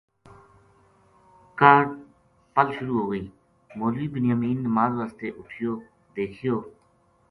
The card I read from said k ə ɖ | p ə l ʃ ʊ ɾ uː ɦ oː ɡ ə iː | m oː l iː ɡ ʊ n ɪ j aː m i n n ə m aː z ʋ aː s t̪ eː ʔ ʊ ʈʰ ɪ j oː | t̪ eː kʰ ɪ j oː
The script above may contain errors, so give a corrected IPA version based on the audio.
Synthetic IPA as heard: k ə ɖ | p ə l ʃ ʊ ɾ uː ɦ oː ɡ ə iː | m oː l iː b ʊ n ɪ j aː m iː n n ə m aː z ʋ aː s t̪ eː ʔ ʊ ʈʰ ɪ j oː | d̪ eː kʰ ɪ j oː

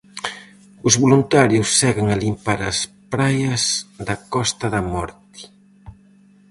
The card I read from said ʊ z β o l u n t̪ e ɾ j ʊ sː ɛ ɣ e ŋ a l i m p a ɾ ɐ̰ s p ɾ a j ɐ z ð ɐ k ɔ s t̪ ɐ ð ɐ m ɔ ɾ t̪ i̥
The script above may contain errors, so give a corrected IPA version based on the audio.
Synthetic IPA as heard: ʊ z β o l u n t̪ a ɾ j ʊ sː ɛ ɣ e ŋ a l i m p a ɾ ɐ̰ s p ɾ a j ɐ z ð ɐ k ɔ s t̪ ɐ ð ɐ m ɔ ɾ t̪ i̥

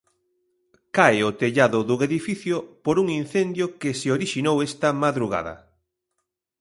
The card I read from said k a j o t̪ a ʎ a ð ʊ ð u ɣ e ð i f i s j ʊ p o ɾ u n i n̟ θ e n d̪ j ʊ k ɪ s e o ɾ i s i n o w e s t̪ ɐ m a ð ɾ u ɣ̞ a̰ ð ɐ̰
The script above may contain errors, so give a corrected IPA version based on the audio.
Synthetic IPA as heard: k a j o t̪ e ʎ a ð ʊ ð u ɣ e ð i f i θ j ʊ p o ɾ u ŋ i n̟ θ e n d̪ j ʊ k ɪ s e o ɾ i ʃ i n o w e s t̪ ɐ m a ð ɾ u ɣ̞ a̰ ð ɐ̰

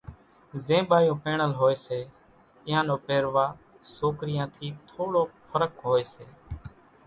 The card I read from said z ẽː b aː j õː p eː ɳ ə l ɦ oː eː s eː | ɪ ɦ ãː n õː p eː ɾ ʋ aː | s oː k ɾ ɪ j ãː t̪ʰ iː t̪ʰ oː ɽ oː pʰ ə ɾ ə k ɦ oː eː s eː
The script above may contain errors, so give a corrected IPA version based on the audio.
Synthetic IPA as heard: z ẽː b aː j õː p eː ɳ ə l ɦ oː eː s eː | ɪ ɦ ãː n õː p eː ɾ ʋ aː | s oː k ɾ ɪ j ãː t̪ʰ iː t̪ʰ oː ɽ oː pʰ ə ɾ ə k ɦ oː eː s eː

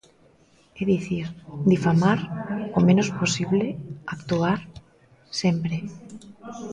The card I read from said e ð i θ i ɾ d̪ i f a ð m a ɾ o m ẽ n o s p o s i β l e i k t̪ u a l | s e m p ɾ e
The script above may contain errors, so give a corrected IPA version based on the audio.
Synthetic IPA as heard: e ð i θ i ɾ d̪ i f a m a ɾ o m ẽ n o s p o s i β l e a k t̪ u a ɾ | s e m p ɾ e

